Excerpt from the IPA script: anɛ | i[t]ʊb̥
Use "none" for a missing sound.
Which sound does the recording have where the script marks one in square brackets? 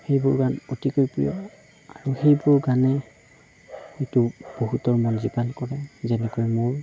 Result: t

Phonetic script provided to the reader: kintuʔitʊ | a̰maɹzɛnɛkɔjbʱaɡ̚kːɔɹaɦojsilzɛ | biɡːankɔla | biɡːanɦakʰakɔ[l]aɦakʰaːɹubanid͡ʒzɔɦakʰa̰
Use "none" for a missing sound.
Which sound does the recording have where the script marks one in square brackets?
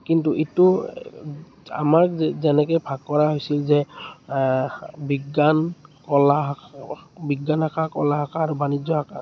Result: l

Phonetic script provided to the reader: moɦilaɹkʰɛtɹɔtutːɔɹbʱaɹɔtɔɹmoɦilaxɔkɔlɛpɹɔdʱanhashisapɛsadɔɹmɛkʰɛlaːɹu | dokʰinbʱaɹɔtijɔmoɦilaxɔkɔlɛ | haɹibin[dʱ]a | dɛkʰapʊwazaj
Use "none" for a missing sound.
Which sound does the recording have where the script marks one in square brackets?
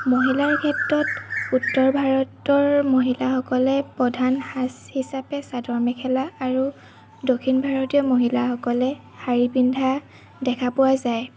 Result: dʱ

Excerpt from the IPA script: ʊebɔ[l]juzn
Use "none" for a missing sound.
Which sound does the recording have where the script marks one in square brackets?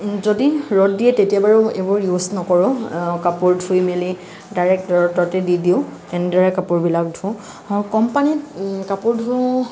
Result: ɹ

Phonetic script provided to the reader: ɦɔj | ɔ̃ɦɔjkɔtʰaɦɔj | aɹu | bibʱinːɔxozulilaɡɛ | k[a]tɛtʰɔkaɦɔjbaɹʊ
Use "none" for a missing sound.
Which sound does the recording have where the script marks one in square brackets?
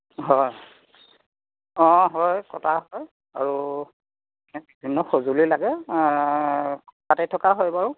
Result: a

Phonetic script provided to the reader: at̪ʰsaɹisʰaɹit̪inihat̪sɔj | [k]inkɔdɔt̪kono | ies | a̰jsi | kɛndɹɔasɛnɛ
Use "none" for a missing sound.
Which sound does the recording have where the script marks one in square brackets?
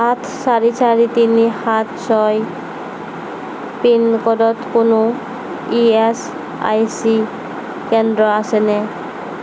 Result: p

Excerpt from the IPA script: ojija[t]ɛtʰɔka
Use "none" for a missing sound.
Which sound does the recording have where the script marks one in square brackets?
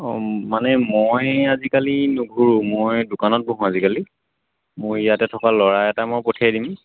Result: t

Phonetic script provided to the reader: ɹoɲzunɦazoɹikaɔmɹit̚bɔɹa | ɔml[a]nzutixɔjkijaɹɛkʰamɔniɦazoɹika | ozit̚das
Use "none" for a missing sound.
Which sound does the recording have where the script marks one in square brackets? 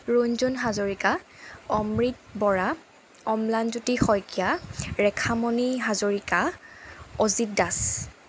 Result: a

